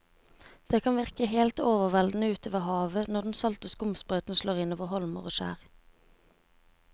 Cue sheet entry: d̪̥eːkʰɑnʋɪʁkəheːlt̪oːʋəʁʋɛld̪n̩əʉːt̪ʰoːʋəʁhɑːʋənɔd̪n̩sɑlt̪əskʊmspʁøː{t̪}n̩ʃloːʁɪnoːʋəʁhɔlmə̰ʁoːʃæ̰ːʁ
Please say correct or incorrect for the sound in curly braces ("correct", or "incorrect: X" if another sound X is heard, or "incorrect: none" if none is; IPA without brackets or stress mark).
correct